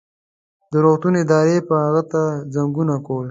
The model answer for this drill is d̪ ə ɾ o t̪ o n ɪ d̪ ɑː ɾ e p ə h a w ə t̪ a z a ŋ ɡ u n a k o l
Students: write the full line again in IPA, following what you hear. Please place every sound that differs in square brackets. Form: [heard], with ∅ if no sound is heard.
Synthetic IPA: d̪ ə ɾ o t̪ [u] n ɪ d̪ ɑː ɾ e p ə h a [ɣ] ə t̪ a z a ŋ ɡ u n a k o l